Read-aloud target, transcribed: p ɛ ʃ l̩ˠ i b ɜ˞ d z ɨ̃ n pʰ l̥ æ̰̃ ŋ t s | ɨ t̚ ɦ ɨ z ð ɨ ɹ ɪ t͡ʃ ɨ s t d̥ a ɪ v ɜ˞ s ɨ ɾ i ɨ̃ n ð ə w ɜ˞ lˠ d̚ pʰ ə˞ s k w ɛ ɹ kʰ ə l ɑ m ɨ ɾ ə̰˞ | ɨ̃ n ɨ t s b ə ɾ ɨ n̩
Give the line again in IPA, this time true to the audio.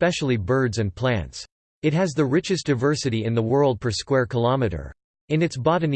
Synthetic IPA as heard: p ɛ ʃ l̩ˠ i b ɜ˞ d z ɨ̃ n pʰ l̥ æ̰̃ n t s | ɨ t̚ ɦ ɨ z ð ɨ ɹ ɪ t͡ʃ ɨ s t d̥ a ɪ v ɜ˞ s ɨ ɾ i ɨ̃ n ð ə w ɜ˞ lˠ d̚ pʰ ə˞ s k w ɛ ɹ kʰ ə l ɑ m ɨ ɾ ə̰˞ | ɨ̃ n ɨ t s b ɑ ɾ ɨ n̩

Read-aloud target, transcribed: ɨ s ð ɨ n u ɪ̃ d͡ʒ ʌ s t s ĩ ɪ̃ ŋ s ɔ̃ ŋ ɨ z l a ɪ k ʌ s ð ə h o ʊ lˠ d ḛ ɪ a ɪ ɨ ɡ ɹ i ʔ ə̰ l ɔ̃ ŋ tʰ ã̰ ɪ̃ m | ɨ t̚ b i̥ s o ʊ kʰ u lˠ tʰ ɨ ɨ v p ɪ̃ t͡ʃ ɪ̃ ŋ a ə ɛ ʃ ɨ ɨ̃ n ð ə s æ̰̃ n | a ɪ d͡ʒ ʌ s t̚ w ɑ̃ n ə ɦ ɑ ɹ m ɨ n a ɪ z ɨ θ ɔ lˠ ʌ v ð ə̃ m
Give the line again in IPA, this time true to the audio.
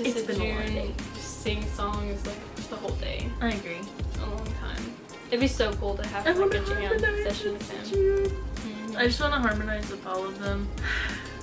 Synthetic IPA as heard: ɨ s ð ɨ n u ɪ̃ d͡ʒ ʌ s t s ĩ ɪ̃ ŋ s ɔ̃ ŋ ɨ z l a ɪ k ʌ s ð ə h o ʊ lˠ d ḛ ɪ a ɪ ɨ ɡ ɹ i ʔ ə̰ l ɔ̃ ŋ tʰ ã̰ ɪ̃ m | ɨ t̚ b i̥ s o ʊ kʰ u lˠ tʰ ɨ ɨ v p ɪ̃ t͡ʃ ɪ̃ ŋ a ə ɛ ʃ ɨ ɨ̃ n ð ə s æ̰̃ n | a ɪ d͡ʒ ʌ s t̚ w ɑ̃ n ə ɦ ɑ ɹ m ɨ n a ɪ z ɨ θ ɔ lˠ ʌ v ð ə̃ m

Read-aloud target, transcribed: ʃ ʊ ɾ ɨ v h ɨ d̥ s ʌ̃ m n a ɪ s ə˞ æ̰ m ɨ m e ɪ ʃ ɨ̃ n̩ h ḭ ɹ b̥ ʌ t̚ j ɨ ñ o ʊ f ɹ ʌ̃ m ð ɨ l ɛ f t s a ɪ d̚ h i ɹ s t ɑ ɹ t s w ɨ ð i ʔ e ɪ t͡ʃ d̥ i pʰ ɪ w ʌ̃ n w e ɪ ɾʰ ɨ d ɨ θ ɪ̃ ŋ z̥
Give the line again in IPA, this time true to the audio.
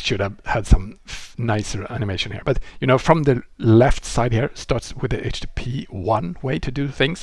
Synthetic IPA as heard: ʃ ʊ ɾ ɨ v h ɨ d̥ s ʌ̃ m n a ɪ s ə˞ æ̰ n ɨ m e ɪ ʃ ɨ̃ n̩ h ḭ ɹ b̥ ʌ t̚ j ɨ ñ o ʊ f ɹ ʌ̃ m ð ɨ l ɛ f t s a ɪ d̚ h i ɹ s t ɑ ɹ t s w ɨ ð i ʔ e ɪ t͡ʃ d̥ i pʰ i w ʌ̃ n w e ɪ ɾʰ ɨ d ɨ θ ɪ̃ ŋ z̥

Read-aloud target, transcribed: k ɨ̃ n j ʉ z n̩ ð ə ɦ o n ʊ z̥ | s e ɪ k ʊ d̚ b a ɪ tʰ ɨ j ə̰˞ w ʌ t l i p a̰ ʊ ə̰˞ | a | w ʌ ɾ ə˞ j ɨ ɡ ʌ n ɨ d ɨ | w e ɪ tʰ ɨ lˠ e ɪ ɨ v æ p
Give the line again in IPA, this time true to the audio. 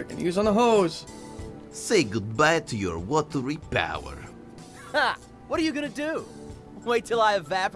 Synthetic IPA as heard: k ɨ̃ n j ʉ z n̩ ð ə ɦ o ʊ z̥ | s e ɪ ɡ ʊ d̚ b a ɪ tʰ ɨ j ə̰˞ w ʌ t ɹ i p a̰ ʊ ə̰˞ | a | w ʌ ɾ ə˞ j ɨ ɡ ʌ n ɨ d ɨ | w e ɪ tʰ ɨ lˠ a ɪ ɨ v æ p

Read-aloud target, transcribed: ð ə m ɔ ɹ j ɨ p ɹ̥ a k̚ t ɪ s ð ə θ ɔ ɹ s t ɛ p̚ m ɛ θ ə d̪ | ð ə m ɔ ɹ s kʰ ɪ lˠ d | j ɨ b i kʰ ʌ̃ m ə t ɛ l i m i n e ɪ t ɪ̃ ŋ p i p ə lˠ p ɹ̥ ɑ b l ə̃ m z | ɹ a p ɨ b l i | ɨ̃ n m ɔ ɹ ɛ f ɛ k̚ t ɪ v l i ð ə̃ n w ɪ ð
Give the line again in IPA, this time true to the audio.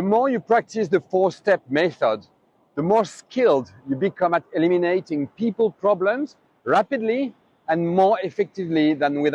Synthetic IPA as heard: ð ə m ɔ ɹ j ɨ p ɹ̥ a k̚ t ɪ s ð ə f ɔ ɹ s t ɛ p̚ m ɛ θ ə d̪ | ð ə m ɔ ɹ s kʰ ɪ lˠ d | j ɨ b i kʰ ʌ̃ m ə t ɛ l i m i n e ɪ t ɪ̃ ŋ p i p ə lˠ p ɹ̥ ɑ b l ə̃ m z | ɹ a p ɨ d l i | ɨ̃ n m ɔ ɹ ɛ f ɛ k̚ t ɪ v l i ð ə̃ n w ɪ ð

